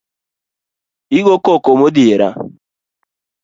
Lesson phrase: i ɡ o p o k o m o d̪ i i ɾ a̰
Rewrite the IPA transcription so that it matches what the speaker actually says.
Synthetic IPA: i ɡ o k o k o m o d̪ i e ɾ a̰